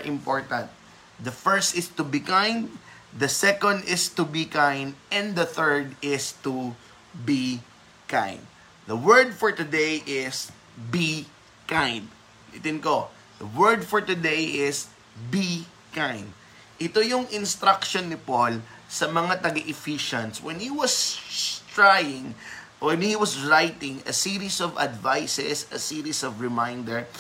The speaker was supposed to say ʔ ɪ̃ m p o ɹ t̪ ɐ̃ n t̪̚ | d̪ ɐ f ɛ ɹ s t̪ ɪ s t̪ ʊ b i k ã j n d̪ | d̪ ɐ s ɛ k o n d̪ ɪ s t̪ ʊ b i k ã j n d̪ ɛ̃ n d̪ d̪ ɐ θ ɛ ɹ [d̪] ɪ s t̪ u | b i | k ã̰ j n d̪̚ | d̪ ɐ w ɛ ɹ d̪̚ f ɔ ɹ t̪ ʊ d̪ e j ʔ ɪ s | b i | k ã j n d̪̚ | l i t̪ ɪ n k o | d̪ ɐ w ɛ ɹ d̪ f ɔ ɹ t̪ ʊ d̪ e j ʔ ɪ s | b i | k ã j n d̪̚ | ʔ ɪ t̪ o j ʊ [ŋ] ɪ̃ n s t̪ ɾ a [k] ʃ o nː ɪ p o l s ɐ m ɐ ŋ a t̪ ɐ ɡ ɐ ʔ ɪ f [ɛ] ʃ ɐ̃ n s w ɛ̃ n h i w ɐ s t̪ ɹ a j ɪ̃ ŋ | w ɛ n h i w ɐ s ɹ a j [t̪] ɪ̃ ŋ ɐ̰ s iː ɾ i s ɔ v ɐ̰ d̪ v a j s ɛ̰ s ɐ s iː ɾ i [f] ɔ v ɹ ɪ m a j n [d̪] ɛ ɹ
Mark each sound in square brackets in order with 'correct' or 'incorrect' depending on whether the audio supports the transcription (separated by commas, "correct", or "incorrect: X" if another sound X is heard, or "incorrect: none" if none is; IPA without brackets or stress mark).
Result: correct, correct, correct, incorrect: i, correct, incorrect: s, correct